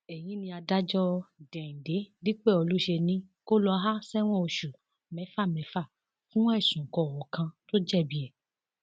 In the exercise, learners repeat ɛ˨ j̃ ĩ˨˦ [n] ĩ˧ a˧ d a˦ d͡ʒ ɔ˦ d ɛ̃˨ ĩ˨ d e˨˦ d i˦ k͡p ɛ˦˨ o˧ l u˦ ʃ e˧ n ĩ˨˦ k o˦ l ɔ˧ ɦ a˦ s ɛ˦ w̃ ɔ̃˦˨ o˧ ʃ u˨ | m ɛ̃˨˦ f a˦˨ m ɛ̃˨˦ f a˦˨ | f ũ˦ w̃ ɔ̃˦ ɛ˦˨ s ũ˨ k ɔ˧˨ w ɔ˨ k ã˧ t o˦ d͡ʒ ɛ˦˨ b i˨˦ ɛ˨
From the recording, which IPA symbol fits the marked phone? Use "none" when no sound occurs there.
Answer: n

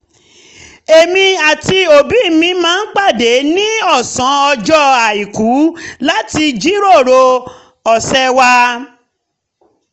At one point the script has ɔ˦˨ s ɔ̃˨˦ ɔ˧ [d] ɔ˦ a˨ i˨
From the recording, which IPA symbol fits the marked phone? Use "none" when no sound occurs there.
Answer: d͡ʒ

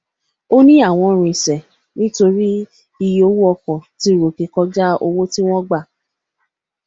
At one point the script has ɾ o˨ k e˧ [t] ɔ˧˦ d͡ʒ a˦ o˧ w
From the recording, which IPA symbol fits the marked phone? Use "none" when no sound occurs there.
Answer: k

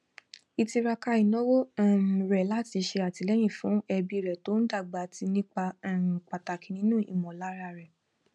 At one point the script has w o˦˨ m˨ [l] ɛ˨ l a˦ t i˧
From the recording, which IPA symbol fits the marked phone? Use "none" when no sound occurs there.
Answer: ɾ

